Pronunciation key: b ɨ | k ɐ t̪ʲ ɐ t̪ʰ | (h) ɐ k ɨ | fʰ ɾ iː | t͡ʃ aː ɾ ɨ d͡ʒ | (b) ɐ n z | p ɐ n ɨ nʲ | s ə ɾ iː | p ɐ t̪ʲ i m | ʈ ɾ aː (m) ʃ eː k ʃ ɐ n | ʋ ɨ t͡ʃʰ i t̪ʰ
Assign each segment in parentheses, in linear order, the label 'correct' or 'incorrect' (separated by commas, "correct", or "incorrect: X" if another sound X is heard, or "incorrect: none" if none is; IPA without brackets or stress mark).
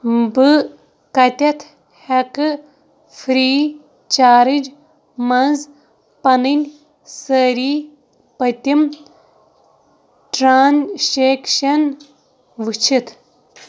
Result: correct, incorrect: m, incorrect: n